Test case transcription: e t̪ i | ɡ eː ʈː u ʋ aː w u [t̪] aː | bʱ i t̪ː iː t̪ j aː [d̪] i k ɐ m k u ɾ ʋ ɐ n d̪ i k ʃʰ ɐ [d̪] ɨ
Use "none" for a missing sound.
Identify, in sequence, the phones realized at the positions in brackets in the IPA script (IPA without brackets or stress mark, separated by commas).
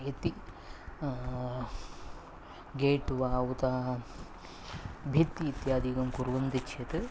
t̪, d̪, t̪